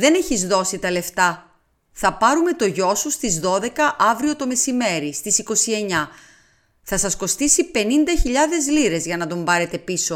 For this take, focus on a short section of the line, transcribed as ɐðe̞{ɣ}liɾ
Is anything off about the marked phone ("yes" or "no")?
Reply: yes